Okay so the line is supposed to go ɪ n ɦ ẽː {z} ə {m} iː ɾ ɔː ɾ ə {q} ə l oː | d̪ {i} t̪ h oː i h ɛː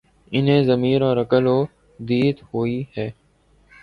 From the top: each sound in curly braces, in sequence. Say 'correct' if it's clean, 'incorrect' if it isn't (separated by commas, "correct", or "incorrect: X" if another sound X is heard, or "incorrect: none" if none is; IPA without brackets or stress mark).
correct, correct, incorrect: k, incorrect: iː